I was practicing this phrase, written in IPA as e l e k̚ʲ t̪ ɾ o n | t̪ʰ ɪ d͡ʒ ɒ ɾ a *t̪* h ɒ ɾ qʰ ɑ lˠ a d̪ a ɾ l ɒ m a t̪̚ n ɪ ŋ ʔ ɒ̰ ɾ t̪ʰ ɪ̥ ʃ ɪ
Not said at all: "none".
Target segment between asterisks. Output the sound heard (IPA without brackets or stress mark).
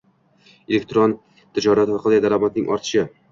t̪